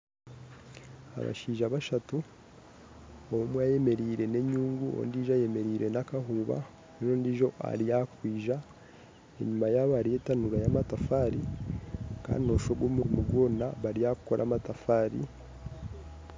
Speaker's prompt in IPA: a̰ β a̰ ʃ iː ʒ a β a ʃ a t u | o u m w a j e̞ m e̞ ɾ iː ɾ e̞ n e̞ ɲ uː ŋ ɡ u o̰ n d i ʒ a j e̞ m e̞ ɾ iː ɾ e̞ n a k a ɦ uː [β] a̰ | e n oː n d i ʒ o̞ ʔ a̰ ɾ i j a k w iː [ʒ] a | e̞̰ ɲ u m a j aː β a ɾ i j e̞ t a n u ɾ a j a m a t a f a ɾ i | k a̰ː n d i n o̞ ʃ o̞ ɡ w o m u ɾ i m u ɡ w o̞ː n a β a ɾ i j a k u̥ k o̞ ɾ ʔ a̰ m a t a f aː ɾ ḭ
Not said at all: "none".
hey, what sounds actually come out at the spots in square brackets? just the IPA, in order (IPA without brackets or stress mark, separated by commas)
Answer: β, ʒ